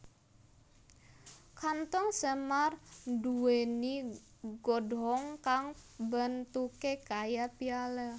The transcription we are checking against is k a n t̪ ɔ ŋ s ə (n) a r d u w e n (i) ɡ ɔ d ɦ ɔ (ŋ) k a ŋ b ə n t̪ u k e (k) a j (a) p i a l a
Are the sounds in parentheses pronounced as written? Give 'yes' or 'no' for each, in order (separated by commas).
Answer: no, yes, yes, yes, yes